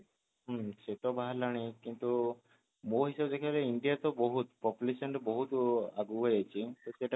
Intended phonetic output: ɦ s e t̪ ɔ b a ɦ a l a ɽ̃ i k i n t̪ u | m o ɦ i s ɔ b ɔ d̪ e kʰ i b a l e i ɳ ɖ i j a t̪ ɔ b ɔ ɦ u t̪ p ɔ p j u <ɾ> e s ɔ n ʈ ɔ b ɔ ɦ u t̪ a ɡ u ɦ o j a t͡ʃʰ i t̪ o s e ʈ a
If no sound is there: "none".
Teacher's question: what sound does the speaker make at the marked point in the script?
l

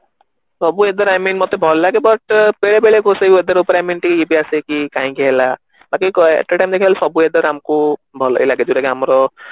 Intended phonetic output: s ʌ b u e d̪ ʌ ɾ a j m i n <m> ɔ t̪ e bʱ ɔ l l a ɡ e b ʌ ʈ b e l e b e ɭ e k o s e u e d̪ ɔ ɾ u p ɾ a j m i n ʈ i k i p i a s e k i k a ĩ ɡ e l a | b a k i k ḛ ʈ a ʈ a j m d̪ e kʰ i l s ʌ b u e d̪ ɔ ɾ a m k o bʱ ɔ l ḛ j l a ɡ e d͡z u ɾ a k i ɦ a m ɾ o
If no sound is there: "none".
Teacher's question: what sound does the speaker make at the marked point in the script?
m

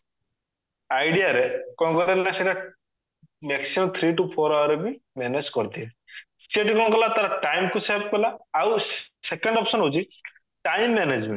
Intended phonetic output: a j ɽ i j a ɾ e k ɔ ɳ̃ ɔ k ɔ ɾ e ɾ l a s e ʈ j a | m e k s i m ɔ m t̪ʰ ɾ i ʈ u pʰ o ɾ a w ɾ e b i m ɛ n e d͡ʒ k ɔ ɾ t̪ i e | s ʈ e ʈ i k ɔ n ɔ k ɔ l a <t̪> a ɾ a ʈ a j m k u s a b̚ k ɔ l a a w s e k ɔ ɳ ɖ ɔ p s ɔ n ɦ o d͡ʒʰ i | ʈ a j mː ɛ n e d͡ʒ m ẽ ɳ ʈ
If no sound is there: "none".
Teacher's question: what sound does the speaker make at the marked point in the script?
t̪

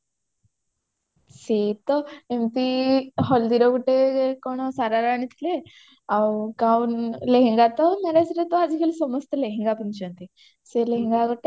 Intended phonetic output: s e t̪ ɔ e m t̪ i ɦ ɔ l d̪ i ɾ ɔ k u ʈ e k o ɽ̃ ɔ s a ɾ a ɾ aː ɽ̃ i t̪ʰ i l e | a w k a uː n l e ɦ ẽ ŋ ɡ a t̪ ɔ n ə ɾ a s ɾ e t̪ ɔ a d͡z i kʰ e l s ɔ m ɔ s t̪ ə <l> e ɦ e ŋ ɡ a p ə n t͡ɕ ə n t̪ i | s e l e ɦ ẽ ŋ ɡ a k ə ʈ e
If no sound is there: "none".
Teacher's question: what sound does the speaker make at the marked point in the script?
l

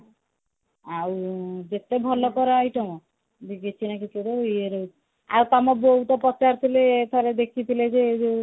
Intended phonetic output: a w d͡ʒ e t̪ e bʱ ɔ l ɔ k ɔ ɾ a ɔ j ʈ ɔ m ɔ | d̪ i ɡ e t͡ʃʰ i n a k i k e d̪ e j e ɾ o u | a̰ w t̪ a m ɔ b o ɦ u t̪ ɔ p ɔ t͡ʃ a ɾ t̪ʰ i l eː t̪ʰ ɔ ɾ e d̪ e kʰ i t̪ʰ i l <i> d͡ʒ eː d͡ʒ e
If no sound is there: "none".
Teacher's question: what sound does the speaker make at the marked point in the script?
e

